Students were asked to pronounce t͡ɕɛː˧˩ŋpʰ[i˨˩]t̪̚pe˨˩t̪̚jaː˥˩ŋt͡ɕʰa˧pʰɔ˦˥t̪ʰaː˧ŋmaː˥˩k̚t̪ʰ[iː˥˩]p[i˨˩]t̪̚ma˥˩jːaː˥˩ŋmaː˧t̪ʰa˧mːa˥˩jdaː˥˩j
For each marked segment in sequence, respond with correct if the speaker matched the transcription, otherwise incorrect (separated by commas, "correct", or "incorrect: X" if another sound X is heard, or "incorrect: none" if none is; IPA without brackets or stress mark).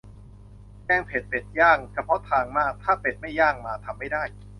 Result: incorrect: e˨˩, incorrect: aː˥˩, incorrect: e˨˩